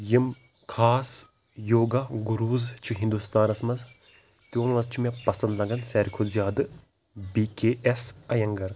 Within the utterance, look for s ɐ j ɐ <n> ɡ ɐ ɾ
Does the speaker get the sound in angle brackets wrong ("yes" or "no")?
yes